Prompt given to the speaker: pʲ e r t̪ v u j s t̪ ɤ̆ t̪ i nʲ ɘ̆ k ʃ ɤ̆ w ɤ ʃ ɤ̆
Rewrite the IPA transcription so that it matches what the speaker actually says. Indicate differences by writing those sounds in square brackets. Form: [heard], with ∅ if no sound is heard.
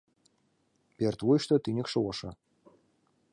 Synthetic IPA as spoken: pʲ e r t̪ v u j [ʃ] t̪ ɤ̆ t̪ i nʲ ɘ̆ k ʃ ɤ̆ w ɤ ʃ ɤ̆